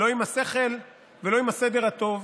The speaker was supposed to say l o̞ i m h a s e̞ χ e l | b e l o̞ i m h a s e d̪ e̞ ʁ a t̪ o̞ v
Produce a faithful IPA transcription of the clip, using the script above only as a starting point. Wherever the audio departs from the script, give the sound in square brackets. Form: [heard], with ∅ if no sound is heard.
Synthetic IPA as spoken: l o̞ i m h a s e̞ χ e l | [v] e l o̞ i m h a s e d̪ e̞ ʁ a t̪ o̞ v